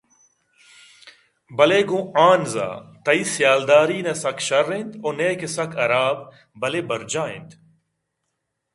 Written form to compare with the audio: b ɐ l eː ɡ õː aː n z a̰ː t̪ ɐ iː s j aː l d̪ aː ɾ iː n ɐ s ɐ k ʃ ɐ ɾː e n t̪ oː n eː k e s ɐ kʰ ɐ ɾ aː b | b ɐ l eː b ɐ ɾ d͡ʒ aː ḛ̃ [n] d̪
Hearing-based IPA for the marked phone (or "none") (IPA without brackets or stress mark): n